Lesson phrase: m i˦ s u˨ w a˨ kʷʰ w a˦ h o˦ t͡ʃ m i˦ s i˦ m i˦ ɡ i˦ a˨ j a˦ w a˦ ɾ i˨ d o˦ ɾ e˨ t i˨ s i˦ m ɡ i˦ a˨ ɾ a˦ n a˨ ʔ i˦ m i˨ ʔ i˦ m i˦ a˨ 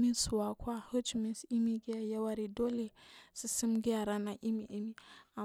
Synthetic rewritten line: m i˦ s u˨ w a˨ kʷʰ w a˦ h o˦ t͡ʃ m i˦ s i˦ m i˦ ɡ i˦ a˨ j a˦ w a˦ ɾ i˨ d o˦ l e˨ s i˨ s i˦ m ɡ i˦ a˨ ɾ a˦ n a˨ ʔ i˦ m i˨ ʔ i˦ m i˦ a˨